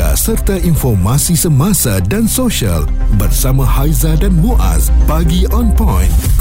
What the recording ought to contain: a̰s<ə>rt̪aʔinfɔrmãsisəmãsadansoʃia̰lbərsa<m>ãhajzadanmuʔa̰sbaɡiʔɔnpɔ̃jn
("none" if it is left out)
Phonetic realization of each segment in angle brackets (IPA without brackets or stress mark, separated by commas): ə, m